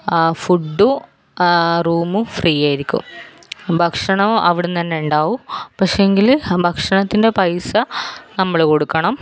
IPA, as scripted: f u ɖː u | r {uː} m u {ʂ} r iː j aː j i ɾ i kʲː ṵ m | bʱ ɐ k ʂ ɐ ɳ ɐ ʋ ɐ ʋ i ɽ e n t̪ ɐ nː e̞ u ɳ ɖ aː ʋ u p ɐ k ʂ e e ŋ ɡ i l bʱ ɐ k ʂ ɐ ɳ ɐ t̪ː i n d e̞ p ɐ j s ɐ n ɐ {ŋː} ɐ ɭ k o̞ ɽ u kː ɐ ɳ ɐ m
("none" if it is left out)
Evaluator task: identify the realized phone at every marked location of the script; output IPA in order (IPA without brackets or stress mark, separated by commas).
uː, f, mː